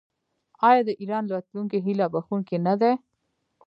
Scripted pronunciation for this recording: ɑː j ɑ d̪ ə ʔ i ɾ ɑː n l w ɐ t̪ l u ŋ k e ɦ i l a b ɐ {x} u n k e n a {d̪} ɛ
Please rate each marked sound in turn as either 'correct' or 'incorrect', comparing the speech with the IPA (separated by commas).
correct, correct